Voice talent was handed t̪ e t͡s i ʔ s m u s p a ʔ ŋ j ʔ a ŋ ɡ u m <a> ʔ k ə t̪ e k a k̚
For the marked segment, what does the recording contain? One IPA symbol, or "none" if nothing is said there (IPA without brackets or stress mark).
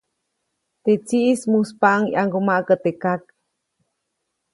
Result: a